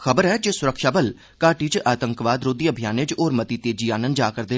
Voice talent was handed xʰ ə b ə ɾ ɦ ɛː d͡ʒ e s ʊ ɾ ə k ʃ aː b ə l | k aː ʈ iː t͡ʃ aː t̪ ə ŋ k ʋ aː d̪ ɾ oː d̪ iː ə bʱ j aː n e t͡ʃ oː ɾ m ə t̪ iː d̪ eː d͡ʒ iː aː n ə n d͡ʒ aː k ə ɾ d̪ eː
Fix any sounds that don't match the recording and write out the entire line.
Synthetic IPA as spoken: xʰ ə b ə ɾ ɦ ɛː d͡ʒ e s ʊ ɾ ə k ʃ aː b ə l | k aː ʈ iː t͡ʃ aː t̪ ə ŋ k ʋ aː d̪ ɾ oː d̪ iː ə bʱ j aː n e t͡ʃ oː ɾ m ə t̪ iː t̪ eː d͡ʒ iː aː n ə n d͡ʒ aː k ə ɾ d̪ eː